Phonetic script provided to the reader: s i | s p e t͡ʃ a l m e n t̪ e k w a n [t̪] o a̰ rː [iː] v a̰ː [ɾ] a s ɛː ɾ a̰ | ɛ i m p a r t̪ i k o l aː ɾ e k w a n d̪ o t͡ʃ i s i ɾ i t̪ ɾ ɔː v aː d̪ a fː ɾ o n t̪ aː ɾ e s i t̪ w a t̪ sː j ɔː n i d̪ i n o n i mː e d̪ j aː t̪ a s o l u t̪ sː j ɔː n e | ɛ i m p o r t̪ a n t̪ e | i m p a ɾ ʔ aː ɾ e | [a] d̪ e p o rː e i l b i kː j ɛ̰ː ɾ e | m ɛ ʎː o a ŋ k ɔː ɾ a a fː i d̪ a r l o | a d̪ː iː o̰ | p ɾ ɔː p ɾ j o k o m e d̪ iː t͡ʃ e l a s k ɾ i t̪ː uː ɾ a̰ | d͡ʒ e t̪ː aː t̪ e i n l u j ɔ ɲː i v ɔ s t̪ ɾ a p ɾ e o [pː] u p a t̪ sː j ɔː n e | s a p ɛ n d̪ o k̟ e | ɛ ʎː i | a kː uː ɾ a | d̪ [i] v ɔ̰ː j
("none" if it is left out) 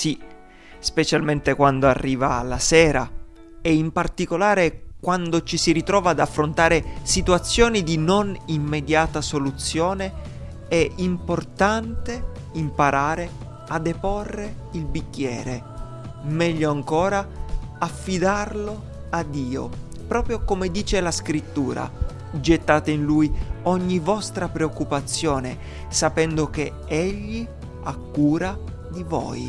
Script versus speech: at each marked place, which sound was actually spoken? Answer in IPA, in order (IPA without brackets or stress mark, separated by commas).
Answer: d̪, iː, l, a, kː, i